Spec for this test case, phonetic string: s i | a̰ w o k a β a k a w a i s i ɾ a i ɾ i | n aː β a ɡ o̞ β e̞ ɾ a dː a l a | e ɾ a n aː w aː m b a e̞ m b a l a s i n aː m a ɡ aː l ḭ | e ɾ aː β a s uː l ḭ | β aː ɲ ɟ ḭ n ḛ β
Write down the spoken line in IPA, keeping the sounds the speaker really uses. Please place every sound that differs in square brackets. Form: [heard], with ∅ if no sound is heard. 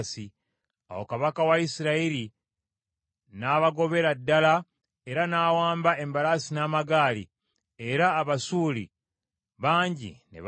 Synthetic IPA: s i | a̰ w o k a β a k a w a i s i ɾ a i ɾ i | n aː β a ɡ o̞ β e̞ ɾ a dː a l a | e ɾ a n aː w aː m b a e̞ m b a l a s i n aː m a ɡ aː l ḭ | e ɾ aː β a s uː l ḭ | β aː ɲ ɟ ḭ n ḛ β